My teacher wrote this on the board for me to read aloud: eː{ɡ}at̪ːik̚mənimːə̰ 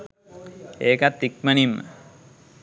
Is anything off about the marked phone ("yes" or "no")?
yes